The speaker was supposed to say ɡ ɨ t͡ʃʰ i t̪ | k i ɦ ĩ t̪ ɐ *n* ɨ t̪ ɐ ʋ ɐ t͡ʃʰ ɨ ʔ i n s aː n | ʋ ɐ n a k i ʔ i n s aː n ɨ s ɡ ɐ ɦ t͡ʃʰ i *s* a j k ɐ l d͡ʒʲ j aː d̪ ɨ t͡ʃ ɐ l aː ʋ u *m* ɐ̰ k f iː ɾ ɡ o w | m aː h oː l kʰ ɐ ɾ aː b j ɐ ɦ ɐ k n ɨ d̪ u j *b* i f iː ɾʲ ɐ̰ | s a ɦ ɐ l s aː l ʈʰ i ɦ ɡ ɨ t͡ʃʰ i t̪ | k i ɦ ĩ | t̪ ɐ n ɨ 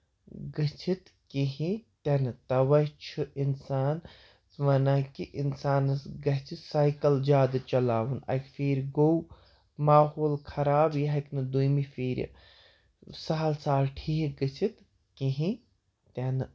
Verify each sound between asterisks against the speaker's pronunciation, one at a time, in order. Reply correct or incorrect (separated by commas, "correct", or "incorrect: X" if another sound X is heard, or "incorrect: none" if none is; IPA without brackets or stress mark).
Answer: correct, correct, incorrect: n, incorrect: m